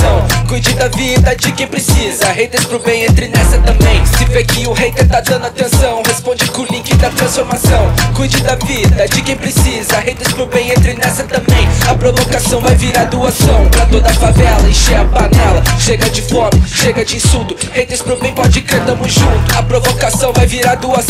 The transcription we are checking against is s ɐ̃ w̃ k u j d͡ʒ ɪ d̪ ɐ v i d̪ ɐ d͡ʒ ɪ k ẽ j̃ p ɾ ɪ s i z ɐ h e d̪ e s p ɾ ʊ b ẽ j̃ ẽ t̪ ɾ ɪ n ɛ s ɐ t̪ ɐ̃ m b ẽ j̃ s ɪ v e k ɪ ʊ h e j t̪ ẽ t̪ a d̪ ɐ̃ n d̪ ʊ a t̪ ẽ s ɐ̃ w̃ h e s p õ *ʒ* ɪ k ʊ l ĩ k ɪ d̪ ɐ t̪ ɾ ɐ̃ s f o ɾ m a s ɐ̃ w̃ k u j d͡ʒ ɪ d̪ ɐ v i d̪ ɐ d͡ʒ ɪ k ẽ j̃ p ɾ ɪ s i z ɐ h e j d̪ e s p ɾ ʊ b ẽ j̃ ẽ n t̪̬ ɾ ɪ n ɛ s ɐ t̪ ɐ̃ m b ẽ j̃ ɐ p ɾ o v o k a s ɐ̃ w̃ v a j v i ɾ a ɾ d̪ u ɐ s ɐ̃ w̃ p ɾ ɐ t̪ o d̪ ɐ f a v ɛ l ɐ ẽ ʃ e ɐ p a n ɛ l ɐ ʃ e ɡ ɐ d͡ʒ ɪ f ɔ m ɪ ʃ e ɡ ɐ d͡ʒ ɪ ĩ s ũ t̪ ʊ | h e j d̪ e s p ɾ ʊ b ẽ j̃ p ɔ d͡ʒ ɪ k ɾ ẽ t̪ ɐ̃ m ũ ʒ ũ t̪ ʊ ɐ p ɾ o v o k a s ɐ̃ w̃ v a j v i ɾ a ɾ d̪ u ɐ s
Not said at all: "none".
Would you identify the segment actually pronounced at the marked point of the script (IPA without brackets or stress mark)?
d͡ʒ